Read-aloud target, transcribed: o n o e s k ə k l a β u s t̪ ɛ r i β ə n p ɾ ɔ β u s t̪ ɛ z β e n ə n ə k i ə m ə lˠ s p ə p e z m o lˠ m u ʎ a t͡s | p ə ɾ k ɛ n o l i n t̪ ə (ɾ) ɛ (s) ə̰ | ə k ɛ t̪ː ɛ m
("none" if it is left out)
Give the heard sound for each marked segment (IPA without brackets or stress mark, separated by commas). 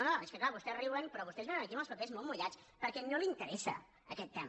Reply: ɾ, s